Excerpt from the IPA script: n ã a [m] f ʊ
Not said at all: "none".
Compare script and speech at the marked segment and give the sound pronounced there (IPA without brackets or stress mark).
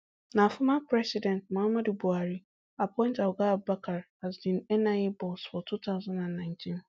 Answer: none